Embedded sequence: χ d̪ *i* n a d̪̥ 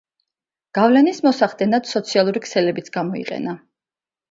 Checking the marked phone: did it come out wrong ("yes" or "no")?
yes